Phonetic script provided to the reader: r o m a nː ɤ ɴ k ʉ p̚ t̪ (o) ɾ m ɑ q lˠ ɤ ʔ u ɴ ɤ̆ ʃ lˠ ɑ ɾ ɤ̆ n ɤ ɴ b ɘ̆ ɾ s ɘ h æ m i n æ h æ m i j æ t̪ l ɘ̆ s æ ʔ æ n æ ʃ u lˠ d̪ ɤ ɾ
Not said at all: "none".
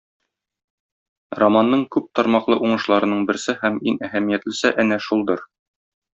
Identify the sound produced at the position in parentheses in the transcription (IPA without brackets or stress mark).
ɒ